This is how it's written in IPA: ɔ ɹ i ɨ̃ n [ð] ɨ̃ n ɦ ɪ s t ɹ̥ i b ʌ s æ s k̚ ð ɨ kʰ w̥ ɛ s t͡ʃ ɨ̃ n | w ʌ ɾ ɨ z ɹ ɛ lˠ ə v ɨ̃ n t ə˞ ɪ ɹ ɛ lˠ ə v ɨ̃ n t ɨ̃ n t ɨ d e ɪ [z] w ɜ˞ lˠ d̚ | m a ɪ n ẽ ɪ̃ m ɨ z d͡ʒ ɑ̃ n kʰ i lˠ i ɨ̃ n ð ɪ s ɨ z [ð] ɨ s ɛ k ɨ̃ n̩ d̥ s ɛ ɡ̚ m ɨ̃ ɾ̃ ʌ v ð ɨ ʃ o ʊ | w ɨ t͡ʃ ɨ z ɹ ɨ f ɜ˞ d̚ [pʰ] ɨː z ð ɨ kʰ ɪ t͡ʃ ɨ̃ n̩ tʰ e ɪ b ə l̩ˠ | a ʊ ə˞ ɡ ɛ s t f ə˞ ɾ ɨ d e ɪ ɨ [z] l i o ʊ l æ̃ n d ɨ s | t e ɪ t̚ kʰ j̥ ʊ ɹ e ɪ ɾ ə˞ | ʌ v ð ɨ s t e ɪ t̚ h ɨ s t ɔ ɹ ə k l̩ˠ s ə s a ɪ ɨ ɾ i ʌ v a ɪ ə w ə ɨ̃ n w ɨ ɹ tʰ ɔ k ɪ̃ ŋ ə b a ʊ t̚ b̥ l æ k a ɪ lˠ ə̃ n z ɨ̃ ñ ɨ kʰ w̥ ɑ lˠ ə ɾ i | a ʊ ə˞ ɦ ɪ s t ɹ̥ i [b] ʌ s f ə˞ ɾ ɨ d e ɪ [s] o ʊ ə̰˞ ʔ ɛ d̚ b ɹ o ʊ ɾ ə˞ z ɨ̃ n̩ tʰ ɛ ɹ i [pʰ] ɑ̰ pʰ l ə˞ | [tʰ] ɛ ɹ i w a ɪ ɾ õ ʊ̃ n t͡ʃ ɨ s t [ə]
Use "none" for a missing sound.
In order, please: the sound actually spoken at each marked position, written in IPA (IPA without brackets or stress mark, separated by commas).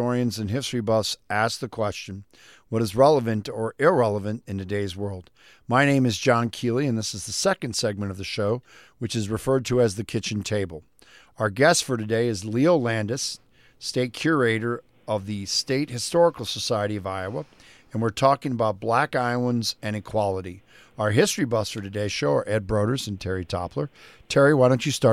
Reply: z, z, ð, tʰ, z, b, ʃ, tʰ, tʰ, ɑ